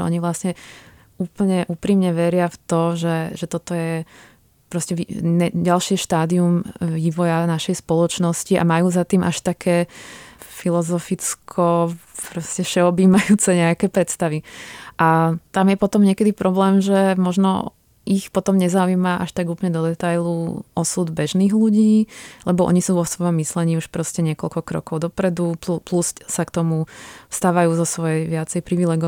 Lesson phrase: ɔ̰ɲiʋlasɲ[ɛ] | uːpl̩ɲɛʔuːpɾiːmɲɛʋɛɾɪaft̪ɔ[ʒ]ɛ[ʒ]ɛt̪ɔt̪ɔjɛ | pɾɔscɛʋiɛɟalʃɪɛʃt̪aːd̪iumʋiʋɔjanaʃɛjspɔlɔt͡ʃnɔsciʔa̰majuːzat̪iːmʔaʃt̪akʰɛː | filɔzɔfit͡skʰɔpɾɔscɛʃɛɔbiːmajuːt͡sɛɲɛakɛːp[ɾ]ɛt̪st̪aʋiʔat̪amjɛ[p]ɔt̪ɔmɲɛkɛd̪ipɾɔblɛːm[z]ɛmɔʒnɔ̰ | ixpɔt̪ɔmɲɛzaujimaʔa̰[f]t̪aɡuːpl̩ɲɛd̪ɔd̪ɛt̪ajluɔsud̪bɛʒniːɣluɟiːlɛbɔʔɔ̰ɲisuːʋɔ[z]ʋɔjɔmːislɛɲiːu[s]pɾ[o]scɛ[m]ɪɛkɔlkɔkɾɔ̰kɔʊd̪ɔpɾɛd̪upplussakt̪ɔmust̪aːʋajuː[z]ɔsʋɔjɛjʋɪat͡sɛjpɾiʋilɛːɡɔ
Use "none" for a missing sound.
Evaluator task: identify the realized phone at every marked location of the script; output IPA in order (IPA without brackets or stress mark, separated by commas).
ɛ, ʒ, ʒ, ɾ, p, ʒ, ʃ, s, ʃ, ɔ, ɲ, z